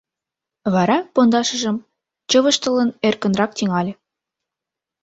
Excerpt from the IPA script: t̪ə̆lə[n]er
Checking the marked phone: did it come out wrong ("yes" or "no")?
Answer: no